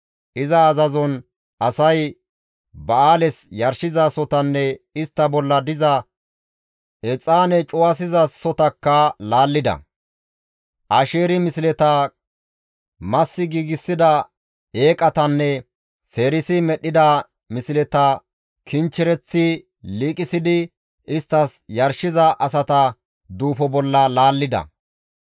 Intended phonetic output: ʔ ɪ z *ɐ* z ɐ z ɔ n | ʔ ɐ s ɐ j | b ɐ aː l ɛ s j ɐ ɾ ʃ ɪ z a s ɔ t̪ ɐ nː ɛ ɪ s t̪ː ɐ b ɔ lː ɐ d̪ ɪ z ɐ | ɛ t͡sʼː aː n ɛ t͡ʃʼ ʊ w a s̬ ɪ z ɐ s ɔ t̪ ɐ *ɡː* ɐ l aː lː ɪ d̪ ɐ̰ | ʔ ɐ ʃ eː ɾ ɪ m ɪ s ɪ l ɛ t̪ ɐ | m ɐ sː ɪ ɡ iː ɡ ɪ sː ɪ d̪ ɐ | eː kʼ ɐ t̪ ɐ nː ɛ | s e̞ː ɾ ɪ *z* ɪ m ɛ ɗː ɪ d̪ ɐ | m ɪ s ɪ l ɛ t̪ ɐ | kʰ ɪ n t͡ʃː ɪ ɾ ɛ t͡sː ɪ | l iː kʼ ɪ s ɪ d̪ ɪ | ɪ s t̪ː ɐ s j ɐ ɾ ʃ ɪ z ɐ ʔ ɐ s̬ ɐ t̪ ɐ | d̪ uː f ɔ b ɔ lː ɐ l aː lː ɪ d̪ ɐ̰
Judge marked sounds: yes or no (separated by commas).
no, no, no